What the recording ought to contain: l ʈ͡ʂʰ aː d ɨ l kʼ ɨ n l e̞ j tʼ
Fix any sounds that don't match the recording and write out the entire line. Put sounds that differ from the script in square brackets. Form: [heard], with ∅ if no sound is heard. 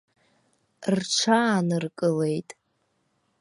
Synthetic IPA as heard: [r] ʈ͡ʂʰ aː [n] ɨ [r] kʼ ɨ [∅] l e̞ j tʼ